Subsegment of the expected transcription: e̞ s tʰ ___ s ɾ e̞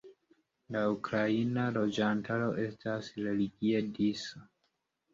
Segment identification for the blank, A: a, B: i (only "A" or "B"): A